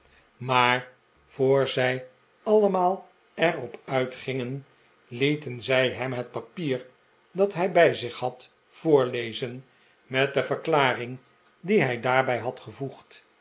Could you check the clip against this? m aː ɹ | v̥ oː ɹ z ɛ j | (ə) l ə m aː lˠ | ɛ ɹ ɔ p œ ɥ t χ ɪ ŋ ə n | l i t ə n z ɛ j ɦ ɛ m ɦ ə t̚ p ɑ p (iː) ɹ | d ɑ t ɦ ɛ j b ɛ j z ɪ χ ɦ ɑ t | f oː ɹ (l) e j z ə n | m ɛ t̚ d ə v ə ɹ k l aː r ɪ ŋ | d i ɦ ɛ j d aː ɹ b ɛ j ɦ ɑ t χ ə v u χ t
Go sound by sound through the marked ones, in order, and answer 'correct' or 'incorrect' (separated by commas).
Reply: incorrect, correct, correct